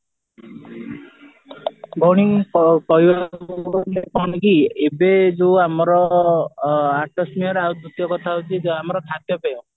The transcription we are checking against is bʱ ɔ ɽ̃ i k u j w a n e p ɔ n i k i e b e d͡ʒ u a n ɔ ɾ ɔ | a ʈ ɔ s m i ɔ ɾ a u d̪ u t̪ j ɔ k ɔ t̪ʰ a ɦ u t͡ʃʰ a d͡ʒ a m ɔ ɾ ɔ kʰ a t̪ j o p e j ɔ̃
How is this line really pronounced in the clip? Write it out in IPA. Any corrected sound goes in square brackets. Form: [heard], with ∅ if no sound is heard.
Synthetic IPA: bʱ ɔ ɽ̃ i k [ɔ] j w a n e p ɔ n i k i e b e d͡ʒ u a [m] ɔ ɾ ɔ | a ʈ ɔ s m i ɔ ɾ a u d̪ u t̪ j ɔ k ɔ t̪ʰ a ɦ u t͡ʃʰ [i] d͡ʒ a m ɔ ɾ ɔ kʰ a t̪ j [ɔ] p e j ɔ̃